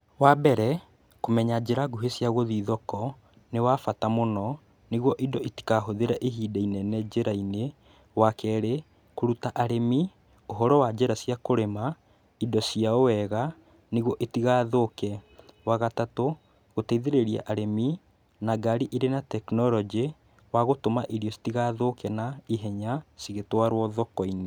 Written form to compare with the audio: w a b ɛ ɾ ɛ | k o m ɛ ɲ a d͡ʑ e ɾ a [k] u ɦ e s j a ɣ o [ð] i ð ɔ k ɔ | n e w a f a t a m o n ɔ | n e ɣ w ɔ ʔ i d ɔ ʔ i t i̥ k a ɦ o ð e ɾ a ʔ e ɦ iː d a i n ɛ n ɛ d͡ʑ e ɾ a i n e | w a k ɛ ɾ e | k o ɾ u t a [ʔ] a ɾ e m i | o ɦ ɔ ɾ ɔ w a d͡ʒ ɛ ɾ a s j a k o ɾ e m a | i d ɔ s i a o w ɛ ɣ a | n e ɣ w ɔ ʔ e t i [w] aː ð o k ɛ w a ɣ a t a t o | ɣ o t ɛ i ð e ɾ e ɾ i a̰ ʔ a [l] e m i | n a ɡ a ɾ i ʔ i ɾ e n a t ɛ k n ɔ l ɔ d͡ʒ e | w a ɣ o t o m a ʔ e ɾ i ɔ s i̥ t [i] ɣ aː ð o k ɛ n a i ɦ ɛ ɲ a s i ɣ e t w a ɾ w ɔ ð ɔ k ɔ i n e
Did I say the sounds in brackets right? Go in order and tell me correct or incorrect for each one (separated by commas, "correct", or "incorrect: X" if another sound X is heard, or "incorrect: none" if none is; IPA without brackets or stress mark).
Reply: incorrect: ɡ, correct, correct, incorrect: ɣ, incorrect: ɾ, correct